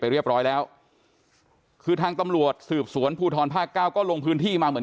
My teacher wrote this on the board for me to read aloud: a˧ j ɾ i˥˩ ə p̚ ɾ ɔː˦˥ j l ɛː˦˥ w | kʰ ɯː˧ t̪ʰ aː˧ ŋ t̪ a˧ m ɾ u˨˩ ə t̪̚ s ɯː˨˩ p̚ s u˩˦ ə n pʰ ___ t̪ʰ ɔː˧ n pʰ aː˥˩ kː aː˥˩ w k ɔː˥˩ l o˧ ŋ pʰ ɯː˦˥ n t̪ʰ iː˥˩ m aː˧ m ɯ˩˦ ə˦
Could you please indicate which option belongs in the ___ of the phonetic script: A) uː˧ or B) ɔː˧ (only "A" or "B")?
A